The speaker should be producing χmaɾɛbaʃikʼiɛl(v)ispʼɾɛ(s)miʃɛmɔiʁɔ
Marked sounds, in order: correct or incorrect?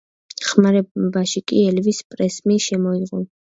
correct, correct

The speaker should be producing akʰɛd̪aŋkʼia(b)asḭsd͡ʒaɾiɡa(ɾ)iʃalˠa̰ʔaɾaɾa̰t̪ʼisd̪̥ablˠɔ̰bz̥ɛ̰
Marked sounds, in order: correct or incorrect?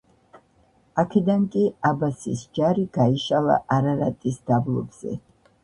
correct, incorrect

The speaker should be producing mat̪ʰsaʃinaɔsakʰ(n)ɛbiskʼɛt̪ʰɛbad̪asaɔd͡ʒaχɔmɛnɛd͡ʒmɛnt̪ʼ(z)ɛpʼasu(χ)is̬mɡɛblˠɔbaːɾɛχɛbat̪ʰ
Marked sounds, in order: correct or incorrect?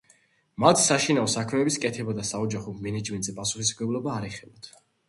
incorrect, correct, correct

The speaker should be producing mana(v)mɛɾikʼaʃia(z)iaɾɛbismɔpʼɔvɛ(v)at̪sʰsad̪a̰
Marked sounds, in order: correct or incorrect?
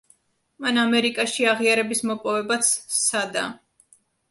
incorrect, incorrect, incorrect

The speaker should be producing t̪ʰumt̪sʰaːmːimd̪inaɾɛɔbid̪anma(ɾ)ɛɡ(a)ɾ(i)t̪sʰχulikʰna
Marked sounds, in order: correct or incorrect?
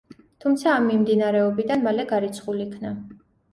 incorrect, correct, correct

